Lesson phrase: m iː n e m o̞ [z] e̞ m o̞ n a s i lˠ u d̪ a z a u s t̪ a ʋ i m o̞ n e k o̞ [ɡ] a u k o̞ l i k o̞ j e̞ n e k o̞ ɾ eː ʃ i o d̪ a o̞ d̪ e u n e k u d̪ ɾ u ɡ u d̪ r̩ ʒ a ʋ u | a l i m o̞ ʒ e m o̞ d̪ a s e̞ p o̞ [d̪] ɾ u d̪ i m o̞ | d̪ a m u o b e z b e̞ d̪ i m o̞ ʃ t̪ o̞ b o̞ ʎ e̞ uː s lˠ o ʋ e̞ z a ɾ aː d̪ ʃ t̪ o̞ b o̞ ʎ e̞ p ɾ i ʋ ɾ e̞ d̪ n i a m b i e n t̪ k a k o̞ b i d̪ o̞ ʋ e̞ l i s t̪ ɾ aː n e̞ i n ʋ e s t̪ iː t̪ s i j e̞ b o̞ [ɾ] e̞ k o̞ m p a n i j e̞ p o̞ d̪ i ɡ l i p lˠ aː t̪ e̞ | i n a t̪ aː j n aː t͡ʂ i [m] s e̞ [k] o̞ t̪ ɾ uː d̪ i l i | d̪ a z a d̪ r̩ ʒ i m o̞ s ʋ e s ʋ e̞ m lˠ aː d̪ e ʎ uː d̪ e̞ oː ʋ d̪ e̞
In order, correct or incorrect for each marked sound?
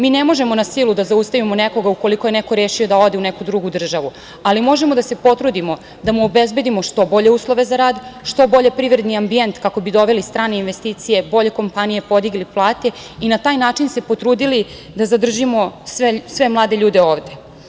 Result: incorrect: ʒ, correct, incorrect: t̪, incorrect: ʎ, incorrect: n, incorrect: p

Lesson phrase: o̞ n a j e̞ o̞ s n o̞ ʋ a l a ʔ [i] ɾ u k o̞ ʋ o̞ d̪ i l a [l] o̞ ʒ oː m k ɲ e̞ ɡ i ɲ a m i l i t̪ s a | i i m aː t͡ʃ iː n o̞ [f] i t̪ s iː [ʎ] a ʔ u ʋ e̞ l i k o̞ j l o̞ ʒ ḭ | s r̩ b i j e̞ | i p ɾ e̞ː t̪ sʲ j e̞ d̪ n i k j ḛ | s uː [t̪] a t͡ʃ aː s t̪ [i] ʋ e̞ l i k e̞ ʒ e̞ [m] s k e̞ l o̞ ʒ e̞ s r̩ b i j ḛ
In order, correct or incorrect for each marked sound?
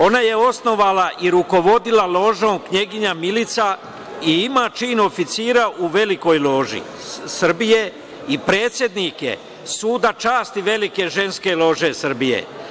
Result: correct, correct, correct, incorrect: ɾ, incorrect: d̪, correct, incorrect: n

